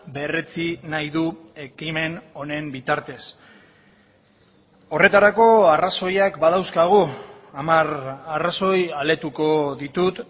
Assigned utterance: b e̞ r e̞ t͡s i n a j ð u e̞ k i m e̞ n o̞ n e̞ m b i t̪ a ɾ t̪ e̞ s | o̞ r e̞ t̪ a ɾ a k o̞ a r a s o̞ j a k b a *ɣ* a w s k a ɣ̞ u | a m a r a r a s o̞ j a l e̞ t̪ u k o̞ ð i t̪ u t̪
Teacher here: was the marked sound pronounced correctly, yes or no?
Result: no